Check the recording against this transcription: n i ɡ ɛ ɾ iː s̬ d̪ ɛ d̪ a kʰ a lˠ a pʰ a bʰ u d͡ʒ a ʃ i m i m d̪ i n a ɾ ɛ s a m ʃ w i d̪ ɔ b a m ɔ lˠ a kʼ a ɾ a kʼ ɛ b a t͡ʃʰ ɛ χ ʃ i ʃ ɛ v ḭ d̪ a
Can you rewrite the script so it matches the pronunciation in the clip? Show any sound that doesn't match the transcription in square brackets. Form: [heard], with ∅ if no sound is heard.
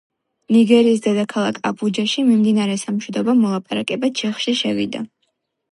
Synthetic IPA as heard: n i ɡ ɛ ɾ iː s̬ d̪ ɛ d̪ a kʰ a lˠ a [kʰ] a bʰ u d͡ʒ a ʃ i m i m d̪ i n a ɾ ɛ s a m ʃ w i d̪ ɔ b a m ɔ lˠ a [pʼ] a ɾ a kʼ ɛ b a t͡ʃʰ ɛ χ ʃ i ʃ ɛ v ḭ d̪ a

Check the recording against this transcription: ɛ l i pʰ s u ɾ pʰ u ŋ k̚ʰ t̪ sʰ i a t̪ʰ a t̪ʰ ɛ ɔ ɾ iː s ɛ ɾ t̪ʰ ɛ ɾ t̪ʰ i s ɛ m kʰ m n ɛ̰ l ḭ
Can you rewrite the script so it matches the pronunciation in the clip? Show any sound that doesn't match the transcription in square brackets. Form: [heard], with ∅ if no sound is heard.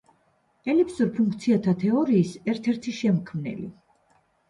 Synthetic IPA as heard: ɛ l i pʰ s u ɾ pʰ u ŋ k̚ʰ t̪ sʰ i a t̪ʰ a t̪ʰ ɛ ɔ ɾ iː s ɛ ɾ t̪ʰ ɛ ɾ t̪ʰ i [ʃ] ɛ m kʰ m n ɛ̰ l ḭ

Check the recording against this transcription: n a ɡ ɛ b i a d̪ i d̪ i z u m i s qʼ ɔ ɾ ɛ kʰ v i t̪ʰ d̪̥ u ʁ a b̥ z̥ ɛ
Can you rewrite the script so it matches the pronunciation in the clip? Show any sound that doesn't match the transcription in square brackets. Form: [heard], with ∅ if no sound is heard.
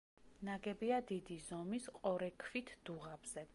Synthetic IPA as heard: n a ɡ ɛ b i a d̪ i d̪ i z [ɔ] m i s qʼ ɔ ɾ ɛ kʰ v i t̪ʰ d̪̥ u ʁ a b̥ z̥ ɛ

